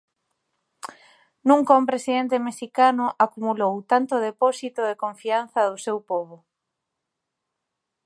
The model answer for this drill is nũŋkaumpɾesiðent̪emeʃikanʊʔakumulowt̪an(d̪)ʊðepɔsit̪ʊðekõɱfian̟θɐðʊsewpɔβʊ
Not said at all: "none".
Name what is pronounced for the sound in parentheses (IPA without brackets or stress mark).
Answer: t̪